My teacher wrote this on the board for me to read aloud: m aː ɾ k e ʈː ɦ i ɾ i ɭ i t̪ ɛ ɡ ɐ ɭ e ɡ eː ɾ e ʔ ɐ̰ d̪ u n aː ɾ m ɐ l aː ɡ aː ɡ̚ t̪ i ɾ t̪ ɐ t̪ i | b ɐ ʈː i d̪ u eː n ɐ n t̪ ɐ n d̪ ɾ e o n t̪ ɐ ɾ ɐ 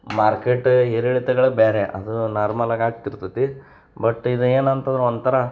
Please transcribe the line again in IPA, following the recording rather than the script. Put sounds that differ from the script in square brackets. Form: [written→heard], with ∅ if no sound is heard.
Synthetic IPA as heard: m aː ɾ k e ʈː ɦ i ɾ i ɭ i t̪ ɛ ɡ ɐ ɭ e [ɡ→b] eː ɾ e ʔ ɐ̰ d̪ u n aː ɾ m ɐ l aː ɡ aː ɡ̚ t̪ i ɾ t̪ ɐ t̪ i | b ɐ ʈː i d̪ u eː n ɐ n t̪ ɐ n d̪ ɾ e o n t̪ ɐ ɾ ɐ